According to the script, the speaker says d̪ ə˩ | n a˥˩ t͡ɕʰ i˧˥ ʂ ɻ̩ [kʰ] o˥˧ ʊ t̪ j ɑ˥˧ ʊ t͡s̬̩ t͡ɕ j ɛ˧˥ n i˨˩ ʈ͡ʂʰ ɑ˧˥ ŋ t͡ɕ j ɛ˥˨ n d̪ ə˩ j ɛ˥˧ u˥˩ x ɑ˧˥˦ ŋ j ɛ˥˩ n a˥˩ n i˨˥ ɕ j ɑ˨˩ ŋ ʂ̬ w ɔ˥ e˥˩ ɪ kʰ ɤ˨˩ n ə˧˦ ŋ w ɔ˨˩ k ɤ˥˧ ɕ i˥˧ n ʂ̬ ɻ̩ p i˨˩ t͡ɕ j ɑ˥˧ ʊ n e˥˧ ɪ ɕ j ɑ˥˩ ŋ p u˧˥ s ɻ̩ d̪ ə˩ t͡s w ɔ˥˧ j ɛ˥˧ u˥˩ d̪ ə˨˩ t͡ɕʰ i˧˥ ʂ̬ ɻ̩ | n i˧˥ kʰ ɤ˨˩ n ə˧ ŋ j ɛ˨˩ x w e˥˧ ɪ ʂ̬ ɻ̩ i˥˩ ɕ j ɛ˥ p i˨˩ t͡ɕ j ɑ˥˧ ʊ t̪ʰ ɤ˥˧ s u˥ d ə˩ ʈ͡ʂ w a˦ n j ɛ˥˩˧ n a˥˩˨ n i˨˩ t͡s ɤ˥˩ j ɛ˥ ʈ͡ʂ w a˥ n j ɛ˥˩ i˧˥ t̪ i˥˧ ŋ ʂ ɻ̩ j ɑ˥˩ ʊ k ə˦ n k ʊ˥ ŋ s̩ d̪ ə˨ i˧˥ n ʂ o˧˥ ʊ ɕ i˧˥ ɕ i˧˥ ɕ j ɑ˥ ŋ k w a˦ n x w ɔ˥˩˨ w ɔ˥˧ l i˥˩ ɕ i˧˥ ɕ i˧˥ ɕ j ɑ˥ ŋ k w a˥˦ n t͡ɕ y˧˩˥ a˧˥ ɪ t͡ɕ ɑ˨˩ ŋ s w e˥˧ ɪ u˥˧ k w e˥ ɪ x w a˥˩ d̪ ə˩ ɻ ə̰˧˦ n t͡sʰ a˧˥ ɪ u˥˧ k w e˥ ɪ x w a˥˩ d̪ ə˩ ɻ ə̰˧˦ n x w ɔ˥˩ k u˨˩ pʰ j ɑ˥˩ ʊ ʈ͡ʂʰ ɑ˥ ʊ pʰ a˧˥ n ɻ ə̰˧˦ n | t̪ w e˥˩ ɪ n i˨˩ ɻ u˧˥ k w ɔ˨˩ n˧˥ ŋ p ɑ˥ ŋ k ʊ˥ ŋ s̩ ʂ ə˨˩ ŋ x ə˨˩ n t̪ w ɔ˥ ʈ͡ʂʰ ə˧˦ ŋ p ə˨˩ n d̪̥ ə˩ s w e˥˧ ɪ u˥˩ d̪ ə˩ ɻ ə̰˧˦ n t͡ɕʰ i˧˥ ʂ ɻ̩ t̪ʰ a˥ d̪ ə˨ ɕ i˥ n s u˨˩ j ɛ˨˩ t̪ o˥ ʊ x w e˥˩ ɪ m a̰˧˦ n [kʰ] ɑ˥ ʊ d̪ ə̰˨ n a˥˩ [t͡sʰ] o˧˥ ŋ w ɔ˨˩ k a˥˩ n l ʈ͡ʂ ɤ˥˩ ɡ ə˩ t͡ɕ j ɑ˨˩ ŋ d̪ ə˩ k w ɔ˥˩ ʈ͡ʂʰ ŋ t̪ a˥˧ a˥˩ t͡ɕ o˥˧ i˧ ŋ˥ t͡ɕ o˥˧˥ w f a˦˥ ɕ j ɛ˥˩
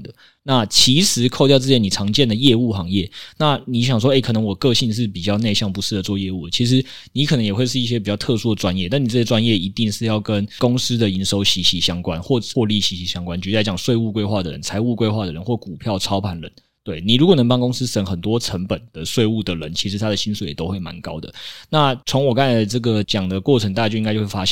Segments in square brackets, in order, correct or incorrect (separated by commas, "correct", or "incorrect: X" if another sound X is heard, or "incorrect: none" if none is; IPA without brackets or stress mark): correct, incorrect: k, correct